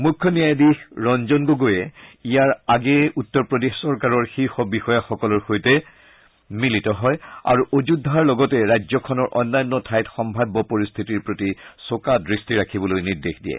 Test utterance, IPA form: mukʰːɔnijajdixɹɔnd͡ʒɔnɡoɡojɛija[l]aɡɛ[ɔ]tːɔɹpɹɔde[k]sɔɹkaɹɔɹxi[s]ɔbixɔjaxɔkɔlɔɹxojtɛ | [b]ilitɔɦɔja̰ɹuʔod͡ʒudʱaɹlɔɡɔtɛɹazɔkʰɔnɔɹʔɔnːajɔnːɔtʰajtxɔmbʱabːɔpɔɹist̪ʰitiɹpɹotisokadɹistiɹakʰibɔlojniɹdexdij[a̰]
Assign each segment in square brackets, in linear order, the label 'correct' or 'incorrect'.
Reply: incorrect, incorrect, incorrect, incorrect, incorrect, incorrect

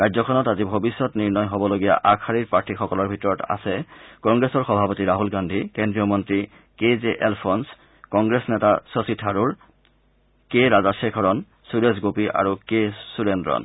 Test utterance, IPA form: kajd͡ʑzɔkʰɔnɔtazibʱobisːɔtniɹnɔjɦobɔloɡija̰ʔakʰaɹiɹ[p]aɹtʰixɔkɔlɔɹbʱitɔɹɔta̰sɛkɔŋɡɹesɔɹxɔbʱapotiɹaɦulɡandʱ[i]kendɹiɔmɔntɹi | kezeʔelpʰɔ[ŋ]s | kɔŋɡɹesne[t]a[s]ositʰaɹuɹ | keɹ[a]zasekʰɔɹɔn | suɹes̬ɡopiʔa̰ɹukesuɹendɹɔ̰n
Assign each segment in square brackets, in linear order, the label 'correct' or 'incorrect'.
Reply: correct, correct, incorrect, correct, correct, correct

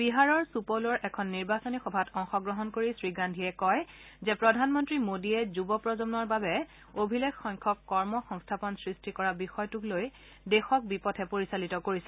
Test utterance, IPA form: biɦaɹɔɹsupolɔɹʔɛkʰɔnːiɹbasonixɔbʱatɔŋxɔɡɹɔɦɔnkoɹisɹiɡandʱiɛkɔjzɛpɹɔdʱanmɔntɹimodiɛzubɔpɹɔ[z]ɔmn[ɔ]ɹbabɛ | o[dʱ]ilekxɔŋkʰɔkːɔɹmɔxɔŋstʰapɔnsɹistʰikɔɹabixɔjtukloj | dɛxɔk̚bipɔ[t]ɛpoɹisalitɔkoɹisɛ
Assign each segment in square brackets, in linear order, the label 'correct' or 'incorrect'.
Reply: correct, correct, incorrect, incorrect

